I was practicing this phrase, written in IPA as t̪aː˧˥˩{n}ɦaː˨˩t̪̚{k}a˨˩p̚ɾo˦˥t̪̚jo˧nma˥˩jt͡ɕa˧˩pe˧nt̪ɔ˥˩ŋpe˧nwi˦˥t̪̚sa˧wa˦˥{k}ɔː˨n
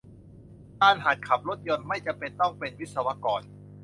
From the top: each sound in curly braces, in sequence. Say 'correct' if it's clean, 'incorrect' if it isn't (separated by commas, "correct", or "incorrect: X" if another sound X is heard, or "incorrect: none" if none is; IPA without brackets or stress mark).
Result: correct, incorrect: kʰ, correct